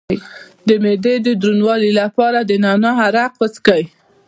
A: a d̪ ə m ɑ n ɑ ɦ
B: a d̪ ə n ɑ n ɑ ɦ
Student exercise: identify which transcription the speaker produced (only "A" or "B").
B